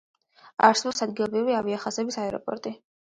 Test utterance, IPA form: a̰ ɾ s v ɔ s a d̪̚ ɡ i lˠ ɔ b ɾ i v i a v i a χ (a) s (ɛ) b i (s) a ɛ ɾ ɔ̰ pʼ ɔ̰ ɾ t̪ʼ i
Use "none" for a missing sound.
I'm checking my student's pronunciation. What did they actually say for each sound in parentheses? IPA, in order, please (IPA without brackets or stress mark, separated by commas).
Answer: a, ɛ, s